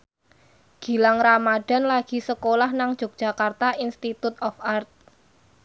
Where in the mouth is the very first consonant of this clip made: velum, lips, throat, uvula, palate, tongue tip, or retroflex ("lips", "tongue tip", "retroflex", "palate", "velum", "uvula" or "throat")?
velum